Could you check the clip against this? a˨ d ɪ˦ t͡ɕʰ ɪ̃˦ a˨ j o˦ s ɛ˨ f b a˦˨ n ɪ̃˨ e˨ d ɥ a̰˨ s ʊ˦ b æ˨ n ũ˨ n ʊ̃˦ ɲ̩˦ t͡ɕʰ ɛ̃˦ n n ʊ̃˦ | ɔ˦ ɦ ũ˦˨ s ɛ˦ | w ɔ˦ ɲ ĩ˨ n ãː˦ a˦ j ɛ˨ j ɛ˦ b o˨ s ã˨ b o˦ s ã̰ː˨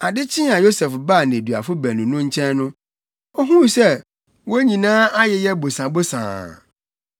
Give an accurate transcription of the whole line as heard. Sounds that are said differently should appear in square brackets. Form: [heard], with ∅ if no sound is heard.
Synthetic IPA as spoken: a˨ d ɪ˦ t͡ɕʰ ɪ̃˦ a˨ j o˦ s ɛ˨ f b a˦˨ n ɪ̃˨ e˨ d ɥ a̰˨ [f] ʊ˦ b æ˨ n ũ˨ n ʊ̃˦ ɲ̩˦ t͡ɕʰ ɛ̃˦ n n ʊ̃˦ | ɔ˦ ɦ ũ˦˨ s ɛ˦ | w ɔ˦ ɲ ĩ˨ n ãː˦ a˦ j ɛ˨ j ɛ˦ b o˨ s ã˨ b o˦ s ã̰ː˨

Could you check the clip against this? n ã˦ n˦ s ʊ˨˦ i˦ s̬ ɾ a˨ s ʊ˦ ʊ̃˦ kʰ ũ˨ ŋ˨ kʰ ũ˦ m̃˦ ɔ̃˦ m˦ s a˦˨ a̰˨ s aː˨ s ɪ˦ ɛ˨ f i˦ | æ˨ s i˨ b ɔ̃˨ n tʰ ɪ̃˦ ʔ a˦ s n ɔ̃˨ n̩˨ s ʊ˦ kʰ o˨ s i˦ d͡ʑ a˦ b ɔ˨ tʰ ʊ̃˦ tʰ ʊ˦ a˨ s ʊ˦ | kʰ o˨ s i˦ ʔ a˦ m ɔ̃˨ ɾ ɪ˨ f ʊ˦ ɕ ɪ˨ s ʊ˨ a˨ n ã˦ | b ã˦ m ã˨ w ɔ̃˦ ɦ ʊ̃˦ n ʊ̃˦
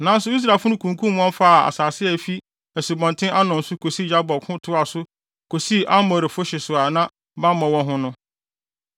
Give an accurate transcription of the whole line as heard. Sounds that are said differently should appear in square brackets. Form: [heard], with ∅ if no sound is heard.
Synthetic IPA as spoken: n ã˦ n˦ s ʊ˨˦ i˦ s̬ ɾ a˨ [f] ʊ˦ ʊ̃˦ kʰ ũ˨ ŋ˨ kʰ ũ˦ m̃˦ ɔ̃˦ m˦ [f] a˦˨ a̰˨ s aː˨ s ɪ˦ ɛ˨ f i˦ | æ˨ s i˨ b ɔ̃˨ n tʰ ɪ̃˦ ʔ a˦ [∅] n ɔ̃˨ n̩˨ s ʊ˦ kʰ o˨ s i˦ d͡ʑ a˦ b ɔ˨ [kʰ] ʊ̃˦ tʰ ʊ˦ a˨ s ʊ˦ | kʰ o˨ s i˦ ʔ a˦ m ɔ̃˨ ɾ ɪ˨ f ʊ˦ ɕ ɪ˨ s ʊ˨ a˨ n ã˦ | b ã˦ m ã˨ w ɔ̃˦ ɦ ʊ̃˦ n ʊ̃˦

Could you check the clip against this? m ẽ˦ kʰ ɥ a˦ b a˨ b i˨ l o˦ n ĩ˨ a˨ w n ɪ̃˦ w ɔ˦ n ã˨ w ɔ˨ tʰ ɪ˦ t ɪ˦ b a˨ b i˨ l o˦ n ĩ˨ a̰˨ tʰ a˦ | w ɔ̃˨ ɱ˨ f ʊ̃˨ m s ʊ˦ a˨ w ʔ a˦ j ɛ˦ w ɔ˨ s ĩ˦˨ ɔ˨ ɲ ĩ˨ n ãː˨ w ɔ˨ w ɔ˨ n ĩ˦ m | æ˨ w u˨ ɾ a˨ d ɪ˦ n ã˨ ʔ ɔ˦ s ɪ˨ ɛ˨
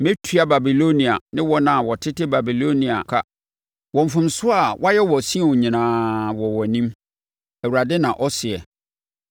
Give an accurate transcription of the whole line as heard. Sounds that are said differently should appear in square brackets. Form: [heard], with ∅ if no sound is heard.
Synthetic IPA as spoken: m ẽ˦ [tʰ] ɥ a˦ b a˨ b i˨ l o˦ n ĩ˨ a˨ [∅] n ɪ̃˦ w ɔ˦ n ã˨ w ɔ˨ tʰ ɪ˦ t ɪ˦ b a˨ b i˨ l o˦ n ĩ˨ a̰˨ [kʰ] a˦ | w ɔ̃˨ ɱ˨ f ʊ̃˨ m s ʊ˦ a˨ w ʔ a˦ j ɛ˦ w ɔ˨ s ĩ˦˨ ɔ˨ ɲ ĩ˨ n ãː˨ w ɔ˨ w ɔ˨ n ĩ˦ m | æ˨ w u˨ ɾ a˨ d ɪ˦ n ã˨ ʔ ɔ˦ s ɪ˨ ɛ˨

